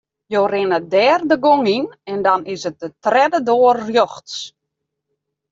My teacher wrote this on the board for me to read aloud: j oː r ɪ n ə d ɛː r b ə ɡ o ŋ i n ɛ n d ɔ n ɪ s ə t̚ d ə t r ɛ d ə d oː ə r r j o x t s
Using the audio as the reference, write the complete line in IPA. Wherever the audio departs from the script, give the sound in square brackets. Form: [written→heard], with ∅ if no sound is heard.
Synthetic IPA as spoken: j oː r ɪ n ə d ɛː r [b→d] ə ɡ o ŋ i n ɛ n d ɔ n ɪ s ə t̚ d ə t r ɛ d ə d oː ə r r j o x t s

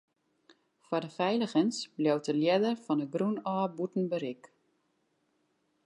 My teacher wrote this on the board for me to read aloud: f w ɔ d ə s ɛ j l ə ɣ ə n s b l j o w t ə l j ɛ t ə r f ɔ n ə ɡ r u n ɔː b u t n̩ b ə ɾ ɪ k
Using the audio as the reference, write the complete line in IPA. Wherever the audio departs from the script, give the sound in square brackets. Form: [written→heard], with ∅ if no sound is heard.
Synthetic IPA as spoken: f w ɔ d ə [s→f] ɛ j l ə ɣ ə n s b l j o w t ə l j ɛ [t→d] ə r f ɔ n ə ɡ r u n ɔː b u t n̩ b ə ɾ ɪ k

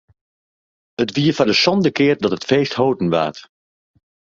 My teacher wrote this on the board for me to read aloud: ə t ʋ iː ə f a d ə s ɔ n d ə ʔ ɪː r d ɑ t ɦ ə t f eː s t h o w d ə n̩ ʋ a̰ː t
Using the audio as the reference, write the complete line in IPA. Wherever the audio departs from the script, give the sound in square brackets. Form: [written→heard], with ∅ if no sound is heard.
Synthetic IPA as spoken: ə t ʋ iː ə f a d ə s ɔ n d ə [ʔ→k] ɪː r d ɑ t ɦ ə t f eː s t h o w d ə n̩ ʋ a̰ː t

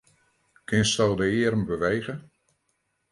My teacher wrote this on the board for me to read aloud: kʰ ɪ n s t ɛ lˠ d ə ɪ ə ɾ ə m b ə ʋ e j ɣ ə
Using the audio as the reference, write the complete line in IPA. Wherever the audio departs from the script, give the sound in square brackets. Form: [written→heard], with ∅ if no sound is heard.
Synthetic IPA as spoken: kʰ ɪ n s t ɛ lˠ d ə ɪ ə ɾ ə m b ə ʋ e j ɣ ə

